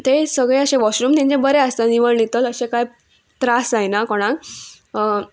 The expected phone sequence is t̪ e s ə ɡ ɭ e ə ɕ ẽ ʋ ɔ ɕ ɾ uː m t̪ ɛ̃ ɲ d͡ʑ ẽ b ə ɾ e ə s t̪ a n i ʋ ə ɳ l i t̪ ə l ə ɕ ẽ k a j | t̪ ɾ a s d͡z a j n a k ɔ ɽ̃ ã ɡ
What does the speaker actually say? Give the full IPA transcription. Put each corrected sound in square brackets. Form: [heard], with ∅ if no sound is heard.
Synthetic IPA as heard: t̪ e s ə ɡ ɭ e ə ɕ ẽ ʋ ɔ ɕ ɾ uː m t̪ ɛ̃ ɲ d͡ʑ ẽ b ə ɾ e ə s t̪ a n i ʋ ə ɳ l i t̪ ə l ə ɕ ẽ k a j | t̪ ɾ a s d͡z a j n a k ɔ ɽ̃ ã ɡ